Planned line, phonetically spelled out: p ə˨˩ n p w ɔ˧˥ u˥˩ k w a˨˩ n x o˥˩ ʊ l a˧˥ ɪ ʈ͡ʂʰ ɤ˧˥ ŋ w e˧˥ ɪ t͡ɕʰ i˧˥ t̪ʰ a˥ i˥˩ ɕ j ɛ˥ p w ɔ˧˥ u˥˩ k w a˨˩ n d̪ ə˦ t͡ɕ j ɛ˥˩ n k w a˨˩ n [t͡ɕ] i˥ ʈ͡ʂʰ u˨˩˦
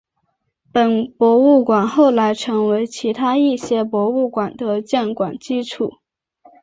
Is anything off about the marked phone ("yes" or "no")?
no